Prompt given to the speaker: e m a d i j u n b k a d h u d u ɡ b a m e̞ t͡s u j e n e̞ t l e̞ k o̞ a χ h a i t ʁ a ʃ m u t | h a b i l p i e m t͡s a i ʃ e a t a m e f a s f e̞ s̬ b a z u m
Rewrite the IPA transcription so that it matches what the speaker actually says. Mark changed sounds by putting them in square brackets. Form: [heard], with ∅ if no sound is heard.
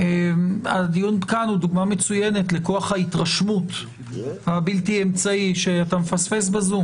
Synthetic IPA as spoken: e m a d i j u n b k a [n] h u d u ɡ [m] a m e̞ t͡s u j e n e̞ t l e̞ k o̞ a χ h a i t ʁ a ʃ m u t | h a b i l [t] i e m t͡s a i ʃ e a t a m e f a s f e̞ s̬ b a z u m